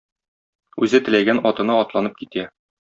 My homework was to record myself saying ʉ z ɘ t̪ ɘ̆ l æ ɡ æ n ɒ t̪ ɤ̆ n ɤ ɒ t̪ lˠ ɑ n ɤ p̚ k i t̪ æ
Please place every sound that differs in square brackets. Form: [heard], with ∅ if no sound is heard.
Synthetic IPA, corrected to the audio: ʉ z ɘ t̪ ɘ̆ l æ ɡ æ n ɒ t̪ ɤ̆ n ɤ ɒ t̪ lˠ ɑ n ɤ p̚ k i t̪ æ